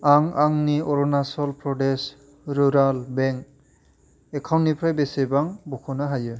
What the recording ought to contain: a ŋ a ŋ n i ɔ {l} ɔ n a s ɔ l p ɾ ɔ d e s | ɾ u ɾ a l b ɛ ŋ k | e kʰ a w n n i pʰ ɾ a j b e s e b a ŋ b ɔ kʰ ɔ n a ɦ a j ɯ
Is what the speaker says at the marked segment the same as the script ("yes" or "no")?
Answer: no